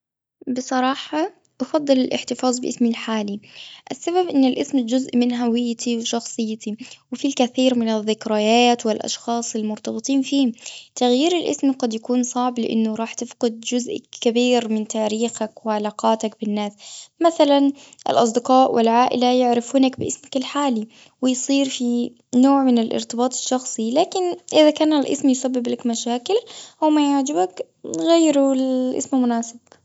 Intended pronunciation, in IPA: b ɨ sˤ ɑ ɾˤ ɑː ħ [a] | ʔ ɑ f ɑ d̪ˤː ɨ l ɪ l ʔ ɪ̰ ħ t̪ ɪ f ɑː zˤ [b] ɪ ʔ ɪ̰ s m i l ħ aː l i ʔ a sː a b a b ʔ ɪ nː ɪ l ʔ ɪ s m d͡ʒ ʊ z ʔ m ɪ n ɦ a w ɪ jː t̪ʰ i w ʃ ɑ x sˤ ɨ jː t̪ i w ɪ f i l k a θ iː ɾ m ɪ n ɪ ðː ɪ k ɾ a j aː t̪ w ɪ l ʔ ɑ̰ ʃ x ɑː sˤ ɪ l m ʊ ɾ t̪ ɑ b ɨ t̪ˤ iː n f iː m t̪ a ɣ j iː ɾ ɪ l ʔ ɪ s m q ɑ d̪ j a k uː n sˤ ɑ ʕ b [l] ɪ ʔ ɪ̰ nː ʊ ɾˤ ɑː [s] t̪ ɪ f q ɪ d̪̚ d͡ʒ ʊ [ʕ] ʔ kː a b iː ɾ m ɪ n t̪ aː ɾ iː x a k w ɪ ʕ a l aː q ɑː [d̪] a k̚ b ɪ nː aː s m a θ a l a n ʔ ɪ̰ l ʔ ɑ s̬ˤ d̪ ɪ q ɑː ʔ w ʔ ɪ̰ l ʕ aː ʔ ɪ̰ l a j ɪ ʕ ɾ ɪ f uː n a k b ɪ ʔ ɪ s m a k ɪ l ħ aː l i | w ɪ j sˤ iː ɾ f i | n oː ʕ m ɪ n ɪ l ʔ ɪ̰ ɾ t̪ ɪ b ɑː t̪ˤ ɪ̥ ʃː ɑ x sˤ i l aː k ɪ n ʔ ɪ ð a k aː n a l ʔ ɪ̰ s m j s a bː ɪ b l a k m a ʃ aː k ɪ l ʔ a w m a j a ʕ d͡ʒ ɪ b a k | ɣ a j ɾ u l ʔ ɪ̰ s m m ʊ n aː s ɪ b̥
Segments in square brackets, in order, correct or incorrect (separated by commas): incorrect, correct, correct, incorrect, incorrect, incorrect